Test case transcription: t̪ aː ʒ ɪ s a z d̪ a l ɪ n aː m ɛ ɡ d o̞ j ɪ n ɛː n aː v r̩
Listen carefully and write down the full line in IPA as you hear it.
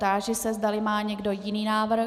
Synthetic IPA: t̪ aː ʒ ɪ s ɛ z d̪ a l ɪ m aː ɲ ɛ ɡ d o̞ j ɪ n iː n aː v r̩